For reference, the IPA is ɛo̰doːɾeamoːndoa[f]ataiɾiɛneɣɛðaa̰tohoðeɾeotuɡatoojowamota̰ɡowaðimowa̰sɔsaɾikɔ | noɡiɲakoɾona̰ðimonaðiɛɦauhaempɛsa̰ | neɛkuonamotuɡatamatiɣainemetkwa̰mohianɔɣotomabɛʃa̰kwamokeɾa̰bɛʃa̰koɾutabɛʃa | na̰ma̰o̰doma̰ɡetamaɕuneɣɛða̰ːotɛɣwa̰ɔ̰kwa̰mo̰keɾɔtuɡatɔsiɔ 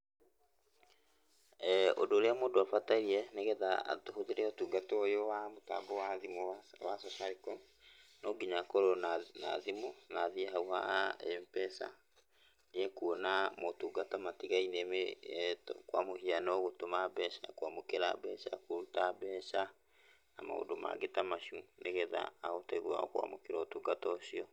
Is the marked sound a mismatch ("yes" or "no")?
no